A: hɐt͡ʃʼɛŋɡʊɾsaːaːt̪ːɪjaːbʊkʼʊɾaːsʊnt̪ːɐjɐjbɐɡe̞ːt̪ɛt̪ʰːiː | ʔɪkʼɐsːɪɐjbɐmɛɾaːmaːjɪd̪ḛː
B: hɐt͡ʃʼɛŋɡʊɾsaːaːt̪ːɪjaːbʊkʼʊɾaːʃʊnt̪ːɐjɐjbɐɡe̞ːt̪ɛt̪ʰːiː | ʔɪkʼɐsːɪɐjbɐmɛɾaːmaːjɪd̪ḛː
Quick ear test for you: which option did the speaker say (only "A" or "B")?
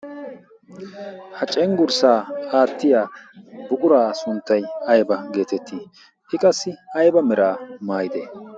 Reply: A